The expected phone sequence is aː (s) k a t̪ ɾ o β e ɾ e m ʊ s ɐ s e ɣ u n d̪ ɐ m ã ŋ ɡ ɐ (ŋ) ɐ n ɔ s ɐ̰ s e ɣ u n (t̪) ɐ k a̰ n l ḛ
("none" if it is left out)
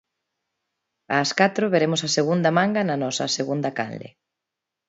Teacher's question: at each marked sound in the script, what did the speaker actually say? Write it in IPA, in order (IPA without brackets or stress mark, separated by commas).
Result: s, n, d̪